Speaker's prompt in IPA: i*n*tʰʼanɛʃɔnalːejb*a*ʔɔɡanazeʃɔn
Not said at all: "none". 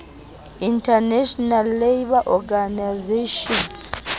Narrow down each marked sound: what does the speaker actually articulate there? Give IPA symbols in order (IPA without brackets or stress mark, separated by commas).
n, a